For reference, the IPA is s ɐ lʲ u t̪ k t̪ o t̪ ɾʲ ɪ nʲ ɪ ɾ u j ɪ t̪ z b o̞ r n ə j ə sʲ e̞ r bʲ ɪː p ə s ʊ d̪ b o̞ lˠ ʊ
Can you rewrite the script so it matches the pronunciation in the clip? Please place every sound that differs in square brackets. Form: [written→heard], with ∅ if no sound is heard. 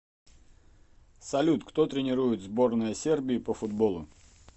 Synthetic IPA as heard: s ɐ lʲ u t̪ k t̪ o t̪ ɾʲ ɪ nʲ ɪ ɾ u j ɪ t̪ z b o̞ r n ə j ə sʲ e̞ r bʲ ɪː p ə [s→f] ʊ d̪ b o̞ lˠ ʊ